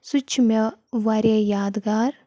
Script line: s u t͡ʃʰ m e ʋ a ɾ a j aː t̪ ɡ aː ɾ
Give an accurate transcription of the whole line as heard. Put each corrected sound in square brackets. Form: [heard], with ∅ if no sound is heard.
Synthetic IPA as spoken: s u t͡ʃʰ m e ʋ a ɾ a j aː [d̪] ɡ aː ɾ